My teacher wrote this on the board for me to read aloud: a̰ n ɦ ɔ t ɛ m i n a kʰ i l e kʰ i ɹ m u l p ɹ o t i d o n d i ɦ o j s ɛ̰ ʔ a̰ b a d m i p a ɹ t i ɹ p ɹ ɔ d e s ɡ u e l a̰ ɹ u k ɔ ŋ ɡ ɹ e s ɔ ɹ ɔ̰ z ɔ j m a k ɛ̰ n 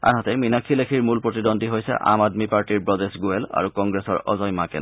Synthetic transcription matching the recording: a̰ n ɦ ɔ t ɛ m i n a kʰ i l e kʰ i ɹ m u l p ɹ o t i d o n d i ɦ o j s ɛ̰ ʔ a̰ m a d m i p a ɹ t i ɹ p ɹ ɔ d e s ɡ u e l a̰ ɹ u k ɔ ŋ ɡ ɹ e s ɔ ɹ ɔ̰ z ɔ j m a k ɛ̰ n